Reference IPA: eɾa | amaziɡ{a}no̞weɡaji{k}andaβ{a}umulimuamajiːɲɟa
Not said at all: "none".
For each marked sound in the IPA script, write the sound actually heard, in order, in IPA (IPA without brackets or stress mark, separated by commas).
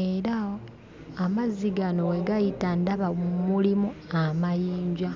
a, t, a